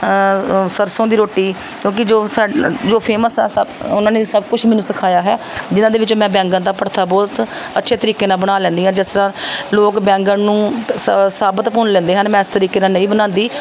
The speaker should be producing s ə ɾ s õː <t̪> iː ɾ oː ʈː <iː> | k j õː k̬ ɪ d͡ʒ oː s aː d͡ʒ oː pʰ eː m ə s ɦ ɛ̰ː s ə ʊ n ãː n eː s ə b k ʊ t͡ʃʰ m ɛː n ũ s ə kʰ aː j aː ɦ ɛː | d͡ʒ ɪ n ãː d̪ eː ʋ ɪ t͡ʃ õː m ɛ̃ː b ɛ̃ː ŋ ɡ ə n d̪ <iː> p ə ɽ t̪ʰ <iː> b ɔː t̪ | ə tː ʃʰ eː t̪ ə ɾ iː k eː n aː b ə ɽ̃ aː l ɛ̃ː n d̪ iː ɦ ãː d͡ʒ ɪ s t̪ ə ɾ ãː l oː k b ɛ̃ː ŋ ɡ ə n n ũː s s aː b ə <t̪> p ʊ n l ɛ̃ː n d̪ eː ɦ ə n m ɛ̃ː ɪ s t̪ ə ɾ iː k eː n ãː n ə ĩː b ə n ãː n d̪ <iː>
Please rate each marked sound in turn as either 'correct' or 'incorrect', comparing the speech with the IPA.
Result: incorrect, correct, incorrect, incorrect, correct, correct

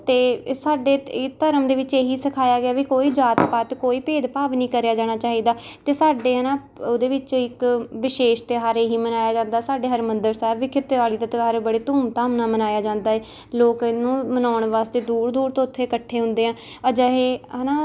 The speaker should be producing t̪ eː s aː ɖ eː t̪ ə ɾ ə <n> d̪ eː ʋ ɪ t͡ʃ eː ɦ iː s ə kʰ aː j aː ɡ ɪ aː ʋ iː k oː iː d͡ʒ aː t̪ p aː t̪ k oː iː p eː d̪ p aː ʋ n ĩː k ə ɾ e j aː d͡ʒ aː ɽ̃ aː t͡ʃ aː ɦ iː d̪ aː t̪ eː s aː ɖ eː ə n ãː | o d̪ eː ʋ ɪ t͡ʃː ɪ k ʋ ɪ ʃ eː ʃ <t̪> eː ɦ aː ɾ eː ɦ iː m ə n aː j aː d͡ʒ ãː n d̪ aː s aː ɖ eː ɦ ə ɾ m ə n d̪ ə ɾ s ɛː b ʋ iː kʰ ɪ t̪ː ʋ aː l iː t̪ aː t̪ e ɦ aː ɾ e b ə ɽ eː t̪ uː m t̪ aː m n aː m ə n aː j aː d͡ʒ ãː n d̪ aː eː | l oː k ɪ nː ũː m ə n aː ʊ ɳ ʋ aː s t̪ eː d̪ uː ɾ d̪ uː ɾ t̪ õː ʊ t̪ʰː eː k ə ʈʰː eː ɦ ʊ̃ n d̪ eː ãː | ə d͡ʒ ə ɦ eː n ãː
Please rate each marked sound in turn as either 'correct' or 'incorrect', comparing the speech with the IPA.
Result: incorrect, correct

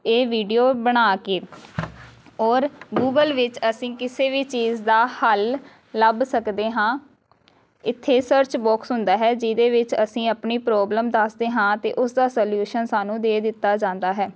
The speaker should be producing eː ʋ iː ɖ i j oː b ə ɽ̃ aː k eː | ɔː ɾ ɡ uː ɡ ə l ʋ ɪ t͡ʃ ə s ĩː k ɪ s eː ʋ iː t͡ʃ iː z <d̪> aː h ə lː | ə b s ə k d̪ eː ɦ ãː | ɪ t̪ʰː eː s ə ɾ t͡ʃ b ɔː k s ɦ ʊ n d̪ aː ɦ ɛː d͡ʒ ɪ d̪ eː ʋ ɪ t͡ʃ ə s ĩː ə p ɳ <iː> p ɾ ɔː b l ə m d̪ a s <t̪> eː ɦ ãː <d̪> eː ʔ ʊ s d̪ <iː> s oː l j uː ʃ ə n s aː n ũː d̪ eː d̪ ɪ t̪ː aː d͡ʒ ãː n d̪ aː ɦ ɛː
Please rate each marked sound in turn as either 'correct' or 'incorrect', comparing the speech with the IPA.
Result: correct, correct, incorrect, incorrect, incorrect

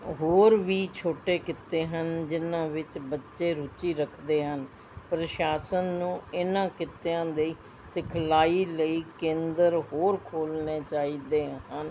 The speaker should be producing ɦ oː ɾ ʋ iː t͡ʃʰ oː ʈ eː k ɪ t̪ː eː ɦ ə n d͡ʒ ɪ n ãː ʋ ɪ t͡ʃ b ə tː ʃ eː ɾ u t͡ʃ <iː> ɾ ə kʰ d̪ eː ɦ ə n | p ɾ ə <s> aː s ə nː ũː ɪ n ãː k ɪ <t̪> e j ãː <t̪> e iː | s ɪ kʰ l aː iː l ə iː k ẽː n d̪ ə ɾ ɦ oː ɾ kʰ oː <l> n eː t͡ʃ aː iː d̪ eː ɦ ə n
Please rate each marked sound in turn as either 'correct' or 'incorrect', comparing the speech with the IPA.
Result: correct, incorrect, correct, incorrect, correct

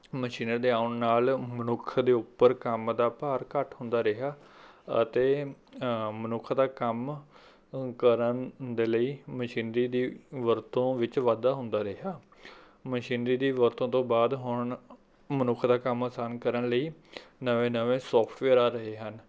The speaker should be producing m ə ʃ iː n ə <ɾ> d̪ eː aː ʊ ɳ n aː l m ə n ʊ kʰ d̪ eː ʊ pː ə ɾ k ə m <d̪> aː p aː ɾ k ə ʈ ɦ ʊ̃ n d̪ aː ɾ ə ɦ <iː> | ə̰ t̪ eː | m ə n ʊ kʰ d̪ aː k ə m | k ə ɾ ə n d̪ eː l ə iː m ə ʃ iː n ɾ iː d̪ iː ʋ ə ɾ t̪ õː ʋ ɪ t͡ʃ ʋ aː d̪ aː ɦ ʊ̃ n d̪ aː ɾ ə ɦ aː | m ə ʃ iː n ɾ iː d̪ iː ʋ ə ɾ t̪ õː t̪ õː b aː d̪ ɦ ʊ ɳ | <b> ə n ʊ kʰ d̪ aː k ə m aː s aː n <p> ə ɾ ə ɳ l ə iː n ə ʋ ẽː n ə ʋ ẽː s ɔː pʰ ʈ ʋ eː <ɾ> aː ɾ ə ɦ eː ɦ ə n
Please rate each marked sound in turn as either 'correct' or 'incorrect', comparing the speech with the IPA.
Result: correct, correct, incorrect, incorrect, incorrect, correct

